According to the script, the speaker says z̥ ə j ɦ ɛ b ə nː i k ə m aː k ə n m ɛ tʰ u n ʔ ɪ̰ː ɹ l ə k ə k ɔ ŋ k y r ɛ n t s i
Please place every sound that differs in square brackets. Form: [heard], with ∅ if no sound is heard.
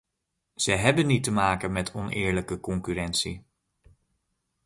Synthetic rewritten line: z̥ ə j ɦ ɛ b ə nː i [t] ə m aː k ə n m ɛ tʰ [ɔ] n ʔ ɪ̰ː ɹ l ə k ə k ɔ ŋ k y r ɛ n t s i